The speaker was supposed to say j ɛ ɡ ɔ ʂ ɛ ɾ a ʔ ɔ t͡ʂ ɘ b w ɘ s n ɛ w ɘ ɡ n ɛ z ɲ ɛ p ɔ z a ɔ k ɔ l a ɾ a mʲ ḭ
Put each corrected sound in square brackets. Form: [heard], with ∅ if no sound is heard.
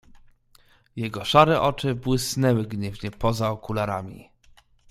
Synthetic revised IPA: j ɛ ɡ ɔ ʂ [a] ɾ [ɛ] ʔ ɔ t͡ʂ ɘ b w ɘ s n ɛ w ɘ ɡ [ɲ] ɛ [v] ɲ ɛ p ɔ z a ɔ k [u] l a ɾ a mʲ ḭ